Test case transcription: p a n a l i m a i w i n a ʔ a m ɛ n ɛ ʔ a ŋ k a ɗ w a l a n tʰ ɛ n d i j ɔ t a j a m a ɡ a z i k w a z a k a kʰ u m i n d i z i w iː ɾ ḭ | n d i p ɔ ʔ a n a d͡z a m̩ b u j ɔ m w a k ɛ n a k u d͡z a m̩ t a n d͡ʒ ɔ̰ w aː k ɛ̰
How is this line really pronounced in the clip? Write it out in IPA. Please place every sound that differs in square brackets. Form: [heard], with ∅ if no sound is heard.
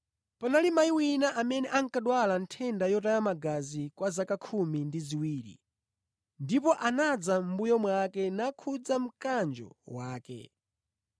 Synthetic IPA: p a n a l i m a i w i n a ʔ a m ɛ n ɛ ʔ a ŋ k a ɗ w a l a n tʰ ɛ n d [a] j ɔ t a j a m a ɡ a z i k w a z a k a kʰ u m i n d i z i w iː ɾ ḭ | n d i p ɔ ʔ a n a d͡z a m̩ b u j ɔ m w a k ɛ n a [kʰ] u d͡z a m̩ [k] a n d͡ʒ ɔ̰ w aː k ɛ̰

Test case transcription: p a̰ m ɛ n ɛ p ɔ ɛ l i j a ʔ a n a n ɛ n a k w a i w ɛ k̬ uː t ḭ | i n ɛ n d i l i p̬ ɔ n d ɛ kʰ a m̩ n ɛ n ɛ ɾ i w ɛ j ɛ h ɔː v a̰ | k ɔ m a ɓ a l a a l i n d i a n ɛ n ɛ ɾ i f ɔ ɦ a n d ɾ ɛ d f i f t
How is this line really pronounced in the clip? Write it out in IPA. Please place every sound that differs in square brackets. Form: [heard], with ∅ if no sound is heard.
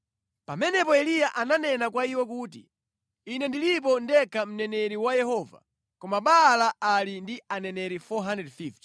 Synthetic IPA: p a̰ m ɛ n ɛ p ɔ ɛ l i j a ʔ a n a n ɛ n a k w a i w ɛ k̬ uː t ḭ | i n ɛ n d i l i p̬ ɔ n d ɛ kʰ a m̩ n ɛ n ɛ ɾ i w [a] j ɛ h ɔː v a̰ | k ɔ m a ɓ a l a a l i n d i a n ɛ n ɛ ɾ i f ɔ ɦ a n d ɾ ɛ d f i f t

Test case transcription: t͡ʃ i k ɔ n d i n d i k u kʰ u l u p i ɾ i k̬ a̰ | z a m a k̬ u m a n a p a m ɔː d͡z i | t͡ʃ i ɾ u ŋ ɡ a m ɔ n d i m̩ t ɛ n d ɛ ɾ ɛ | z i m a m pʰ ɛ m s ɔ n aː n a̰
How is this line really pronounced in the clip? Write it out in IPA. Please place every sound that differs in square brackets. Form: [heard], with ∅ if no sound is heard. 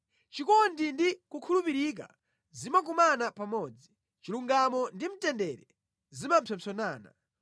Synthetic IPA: t͡ʃ i k ɔ n d i n d i k u kʰ u l u p i ɾ i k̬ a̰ | z [i] m a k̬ u m a n a p a m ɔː d͡z i | t͡ʃ i [l] u ŋ ɡ a m ɔ n d i m̩ t ɛ n d ɛ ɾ ɛ | z i m a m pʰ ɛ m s ɔ n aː n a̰

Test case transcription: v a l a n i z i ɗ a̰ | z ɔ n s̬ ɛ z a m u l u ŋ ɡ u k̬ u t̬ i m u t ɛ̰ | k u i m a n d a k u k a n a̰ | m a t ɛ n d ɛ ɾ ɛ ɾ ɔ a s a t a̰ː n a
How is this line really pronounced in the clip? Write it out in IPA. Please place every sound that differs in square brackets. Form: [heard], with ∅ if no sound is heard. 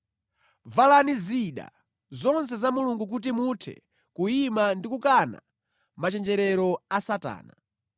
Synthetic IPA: v a l a n i z i ɗ a̰ | z ɔ n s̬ ɛ z a m u l u ŋ ɡ u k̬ u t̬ i m u [tʰ] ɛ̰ | k u i m a n d [i] k u k a n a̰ | m a [t͡ʃ] ɛ n [d͡ʒ] ɛ ɾ ɛ ɾ ɔ a s a t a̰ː n a

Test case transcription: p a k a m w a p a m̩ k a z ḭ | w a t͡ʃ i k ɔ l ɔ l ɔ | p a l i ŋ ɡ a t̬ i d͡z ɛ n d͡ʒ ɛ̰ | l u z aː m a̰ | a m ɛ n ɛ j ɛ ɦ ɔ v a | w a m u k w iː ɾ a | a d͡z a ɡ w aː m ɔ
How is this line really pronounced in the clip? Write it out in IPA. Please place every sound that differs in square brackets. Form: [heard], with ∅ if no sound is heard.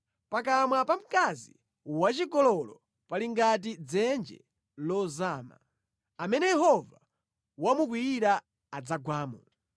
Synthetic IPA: p a k a m w a p a m̩ k a z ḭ | w a t͡ʃ i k ɔ l ɔ l ɔ | p a l i ŋ ɡ a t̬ i d͡z ɛ n d͡ʒ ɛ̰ | l [ɔ] z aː m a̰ | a m ɛ n ɛ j ɛ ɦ ɔ v a | w a m u k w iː ɾ a | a d͡z a ɡ w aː m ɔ

